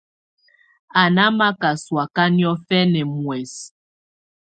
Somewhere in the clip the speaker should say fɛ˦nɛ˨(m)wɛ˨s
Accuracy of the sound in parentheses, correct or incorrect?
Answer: correct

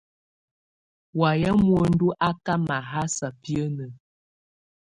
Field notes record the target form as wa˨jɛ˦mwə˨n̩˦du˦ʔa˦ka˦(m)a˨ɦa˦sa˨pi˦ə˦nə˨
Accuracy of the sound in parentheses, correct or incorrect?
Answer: correct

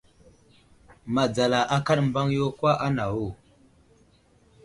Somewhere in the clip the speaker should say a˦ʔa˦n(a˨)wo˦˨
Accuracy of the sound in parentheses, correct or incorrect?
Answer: correct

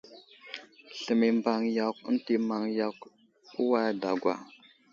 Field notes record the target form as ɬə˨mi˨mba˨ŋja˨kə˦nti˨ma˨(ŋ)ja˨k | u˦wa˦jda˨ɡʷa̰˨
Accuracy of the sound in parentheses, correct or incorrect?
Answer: correct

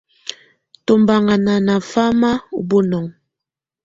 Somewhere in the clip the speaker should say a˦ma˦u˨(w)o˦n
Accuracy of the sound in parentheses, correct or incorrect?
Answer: incorrect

